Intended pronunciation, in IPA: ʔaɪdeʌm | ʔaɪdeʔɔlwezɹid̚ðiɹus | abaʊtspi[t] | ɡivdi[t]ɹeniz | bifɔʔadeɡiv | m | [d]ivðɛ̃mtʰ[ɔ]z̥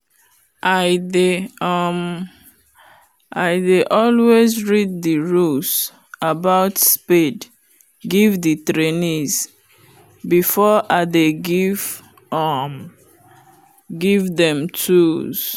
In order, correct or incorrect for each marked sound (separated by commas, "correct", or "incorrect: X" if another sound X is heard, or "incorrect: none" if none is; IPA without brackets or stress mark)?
incorrect: d, correct, incorrect: ɡ, incorrect: u